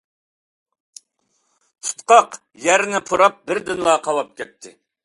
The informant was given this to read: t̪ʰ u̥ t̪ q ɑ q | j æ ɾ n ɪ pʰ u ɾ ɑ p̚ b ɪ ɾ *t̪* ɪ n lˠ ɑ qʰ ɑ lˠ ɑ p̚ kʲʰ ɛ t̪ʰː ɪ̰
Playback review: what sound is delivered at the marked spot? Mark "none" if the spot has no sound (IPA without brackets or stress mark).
d̪